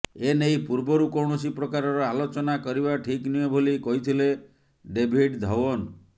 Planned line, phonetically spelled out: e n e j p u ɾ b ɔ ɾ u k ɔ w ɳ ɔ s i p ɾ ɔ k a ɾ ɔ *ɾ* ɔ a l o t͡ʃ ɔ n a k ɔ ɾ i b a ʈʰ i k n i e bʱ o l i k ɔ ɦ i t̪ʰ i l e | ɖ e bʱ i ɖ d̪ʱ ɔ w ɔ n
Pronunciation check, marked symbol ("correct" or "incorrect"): correct